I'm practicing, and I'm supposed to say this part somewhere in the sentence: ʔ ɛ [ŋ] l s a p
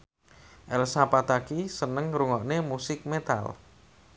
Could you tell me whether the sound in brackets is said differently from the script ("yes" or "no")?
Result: yes